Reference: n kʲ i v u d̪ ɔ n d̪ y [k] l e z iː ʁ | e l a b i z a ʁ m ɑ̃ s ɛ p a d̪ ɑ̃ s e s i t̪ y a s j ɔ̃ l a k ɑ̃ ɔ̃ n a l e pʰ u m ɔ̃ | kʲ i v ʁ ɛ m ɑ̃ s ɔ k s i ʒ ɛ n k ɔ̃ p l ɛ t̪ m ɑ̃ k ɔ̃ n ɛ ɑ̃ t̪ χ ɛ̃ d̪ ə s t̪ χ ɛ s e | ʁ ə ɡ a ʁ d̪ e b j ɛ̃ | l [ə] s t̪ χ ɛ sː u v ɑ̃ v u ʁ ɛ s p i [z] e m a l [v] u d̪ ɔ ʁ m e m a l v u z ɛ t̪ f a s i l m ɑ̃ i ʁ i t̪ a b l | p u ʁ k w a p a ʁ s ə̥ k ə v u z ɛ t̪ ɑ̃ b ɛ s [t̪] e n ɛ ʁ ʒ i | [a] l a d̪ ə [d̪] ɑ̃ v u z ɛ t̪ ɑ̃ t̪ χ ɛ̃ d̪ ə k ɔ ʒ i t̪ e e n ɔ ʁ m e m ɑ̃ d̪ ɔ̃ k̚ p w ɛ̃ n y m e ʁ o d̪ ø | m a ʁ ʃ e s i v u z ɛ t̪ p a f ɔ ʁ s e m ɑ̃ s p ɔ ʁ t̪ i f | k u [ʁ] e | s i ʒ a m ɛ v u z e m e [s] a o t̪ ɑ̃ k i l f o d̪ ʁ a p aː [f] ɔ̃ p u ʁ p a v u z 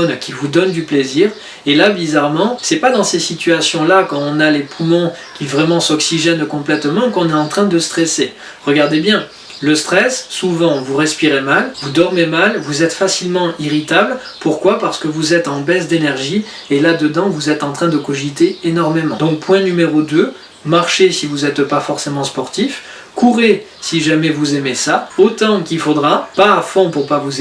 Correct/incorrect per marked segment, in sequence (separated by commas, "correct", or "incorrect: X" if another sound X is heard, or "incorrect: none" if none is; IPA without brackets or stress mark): incorrect: p, correct, incorrect: ʁ, correct, incorrect: d̪, incorrect: e, correct, correct, correct, correct